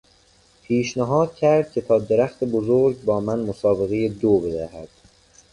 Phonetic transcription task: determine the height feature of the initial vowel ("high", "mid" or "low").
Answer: high